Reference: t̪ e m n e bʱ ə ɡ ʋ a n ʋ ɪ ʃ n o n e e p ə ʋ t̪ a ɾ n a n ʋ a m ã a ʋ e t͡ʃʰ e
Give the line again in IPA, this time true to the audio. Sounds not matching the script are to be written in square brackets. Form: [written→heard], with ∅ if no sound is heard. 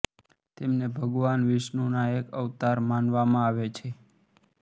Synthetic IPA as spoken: t̪ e m n e bʱ ə ɡ ʋ a n ʋ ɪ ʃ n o n [e→a] e [p→k] ə ʋ t̪ a ɾ [n→m] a n ʋ a m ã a ʋ e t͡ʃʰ e